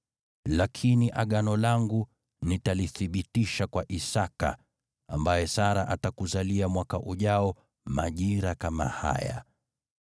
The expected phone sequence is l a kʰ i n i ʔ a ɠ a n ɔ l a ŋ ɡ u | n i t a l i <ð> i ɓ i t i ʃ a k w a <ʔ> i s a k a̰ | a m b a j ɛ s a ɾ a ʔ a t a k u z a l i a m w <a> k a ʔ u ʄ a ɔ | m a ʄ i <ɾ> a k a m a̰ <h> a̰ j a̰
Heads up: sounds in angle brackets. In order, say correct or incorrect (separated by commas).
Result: incorrect, correct, correct, correct, correct